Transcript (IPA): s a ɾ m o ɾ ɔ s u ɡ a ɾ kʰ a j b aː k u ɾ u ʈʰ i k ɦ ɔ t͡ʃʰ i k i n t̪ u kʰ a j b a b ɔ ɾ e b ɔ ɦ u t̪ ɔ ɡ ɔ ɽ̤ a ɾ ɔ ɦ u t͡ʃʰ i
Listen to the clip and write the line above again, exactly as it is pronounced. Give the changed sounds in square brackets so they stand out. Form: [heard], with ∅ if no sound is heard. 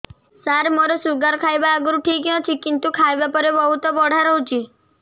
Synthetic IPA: s a ɾ m o ɾ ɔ s u ɡ a ɾ kʰ a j b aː [ɡ] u ɾ u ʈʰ i k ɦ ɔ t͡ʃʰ i k i n t̪ u kʰ a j b a [p] ɔ ɾ e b ɔ ɦ u t̪ ɔ [b] ɔ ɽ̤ a ɾ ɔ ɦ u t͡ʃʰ i